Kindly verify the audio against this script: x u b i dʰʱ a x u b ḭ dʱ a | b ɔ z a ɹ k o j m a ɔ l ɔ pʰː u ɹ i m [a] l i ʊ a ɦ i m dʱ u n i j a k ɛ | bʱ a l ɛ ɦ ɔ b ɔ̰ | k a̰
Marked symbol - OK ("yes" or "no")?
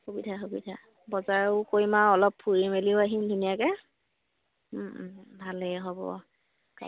no